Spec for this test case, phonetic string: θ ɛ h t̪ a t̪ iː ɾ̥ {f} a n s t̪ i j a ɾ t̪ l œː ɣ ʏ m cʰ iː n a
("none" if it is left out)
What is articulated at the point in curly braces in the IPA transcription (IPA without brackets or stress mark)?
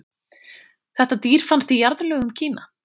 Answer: f